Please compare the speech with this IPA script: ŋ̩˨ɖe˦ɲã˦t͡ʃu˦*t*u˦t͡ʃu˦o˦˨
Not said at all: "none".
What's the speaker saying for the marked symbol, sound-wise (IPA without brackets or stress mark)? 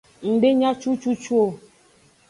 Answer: t͡ʃ